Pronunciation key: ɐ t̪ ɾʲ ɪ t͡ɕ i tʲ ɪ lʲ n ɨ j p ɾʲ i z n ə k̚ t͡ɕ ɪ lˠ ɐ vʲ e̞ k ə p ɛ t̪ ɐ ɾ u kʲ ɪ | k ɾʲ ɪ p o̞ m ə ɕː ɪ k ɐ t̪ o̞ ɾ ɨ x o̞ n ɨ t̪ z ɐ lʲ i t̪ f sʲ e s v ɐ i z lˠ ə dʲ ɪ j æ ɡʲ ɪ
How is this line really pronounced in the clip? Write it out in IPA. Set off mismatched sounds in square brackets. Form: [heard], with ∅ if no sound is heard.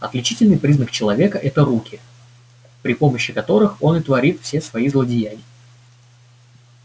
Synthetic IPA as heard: ɐ t̪ [lʲ] ɪ t͡ɕ i tʲ ɪ lʲ n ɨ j p ɾʲ i z n ə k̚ t͡ɕ ɪ lˠ ɐ vʲ e̞ k ə [ʔ] ɛ t̪ [ə] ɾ u kʲ ɪ | [p] ɾʲ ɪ p o̞ m ə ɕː ɪ k ɐ t̪ o̞ ɾ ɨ x o̞ n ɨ t̪ [v] ɐ [ɾʲ] i t̪ f sʲ e s v ɐ i z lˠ ə dʲ ɪ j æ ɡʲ ɪ